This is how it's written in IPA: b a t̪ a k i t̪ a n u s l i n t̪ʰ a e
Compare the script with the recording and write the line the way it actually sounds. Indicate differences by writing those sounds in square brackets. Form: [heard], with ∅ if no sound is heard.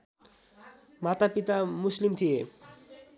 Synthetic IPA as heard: [m] a t̪ a [p] i t̪ a [m] u s l i [m] t̪ʰ [i] e